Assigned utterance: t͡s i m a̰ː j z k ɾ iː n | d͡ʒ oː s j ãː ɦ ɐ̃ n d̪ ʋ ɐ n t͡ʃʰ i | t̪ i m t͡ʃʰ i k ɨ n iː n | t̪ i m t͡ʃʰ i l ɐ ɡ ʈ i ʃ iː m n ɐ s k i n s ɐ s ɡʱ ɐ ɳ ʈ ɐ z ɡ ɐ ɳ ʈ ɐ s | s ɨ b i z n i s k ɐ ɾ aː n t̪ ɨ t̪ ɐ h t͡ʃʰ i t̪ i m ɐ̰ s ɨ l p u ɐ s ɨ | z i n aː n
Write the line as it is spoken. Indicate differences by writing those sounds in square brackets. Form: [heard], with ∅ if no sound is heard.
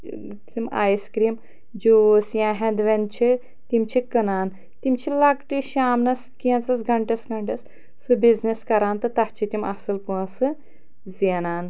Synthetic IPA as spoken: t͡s i m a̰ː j [s] k ɾ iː [m] | d͡ʒ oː s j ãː ɦ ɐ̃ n d̪ ʋ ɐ n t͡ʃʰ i | t̪ i m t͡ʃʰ i k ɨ n [aː] n | t̪ i m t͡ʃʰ i l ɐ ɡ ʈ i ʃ [aː] m n ɐ s k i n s ɐ s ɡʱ ɐ ɳ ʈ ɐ [s] ɡ ɐ ɳ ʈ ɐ s | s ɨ b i z n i s k ɐ ɾ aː n t̪ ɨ t̪ ɐ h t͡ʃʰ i t̪ i m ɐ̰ s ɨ l p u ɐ s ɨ | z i n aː n